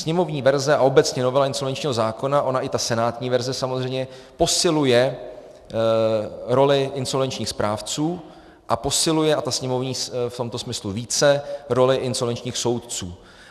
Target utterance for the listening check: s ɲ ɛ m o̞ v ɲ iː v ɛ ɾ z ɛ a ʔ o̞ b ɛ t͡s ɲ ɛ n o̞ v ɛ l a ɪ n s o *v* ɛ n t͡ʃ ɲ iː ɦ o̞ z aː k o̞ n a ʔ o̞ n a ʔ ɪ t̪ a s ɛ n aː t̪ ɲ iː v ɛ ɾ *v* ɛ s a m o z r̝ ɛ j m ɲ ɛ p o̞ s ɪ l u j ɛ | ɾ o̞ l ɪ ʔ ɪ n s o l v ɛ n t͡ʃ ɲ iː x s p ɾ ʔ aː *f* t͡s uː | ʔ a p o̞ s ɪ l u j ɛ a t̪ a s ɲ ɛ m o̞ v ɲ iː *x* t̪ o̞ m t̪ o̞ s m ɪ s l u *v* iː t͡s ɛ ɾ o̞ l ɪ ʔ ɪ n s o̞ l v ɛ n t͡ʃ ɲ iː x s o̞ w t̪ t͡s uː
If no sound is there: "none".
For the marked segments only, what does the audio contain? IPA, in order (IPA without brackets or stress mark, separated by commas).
v, z, f, f, v